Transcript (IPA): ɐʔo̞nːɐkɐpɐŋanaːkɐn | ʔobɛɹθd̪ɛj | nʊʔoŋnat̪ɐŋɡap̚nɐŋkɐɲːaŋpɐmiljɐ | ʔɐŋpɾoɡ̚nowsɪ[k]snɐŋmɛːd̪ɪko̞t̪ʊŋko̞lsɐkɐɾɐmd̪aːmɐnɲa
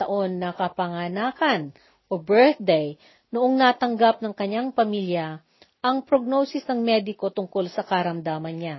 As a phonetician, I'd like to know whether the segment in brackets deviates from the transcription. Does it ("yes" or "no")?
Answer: yes